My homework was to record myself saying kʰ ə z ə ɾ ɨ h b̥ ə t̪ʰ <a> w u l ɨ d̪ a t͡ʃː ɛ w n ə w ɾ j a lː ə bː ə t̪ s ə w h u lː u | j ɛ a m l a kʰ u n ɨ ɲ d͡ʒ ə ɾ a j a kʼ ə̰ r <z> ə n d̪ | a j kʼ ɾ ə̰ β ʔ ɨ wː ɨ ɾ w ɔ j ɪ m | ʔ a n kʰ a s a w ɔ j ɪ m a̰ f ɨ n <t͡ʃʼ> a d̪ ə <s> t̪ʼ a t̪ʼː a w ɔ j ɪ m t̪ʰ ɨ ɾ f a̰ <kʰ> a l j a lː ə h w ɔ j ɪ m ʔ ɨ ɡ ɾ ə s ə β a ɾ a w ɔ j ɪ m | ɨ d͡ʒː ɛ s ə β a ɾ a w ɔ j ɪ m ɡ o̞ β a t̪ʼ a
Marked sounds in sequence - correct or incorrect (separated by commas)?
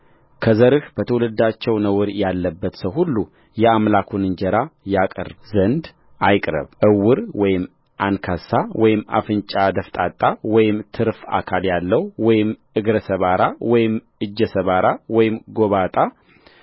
incorrect, correct, correct, incorrect, correct